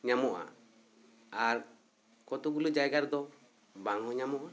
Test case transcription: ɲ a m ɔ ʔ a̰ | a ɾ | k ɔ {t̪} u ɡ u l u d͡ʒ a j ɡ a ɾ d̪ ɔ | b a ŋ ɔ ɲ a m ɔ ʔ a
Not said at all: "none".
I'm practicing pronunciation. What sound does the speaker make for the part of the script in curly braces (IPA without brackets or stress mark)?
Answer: t̪